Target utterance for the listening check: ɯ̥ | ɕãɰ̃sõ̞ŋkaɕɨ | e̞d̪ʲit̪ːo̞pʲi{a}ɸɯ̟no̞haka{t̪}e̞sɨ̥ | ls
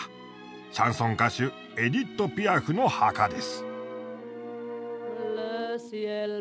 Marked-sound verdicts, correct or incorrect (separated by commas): correct, incorrect